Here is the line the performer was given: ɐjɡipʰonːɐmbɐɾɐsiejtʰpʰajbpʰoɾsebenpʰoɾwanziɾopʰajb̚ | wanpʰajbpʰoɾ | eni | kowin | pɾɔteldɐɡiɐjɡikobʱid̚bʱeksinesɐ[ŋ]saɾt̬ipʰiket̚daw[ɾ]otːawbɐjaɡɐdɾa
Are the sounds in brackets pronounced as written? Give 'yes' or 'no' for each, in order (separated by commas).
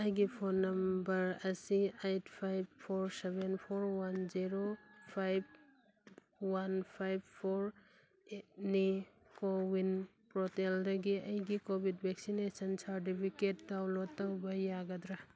no, no